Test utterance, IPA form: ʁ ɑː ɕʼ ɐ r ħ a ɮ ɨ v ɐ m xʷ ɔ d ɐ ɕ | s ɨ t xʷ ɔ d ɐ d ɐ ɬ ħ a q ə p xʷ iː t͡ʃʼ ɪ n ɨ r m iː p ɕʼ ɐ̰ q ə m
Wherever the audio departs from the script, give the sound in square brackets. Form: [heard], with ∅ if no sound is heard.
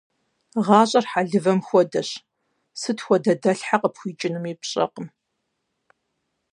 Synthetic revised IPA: ʁ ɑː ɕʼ ɐ r ħ a ɮ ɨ v ɐ m xʷ ɔ d ɐ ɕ | s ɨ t xʷ ɔ d ɐ d ɐ ɬ ħ a q ə p xʷ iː t͡ʃʼ ɪ n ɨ [∅] m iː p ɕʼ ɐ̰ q ə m